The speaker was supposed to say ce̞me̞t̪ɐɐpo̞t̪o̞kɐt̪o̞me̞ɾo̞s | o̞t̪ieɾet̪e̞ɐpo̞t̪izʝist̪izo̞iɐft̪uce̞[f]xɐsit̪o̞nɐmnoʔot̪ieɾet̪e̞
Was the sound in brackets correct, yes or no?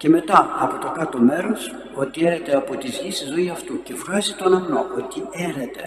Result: yes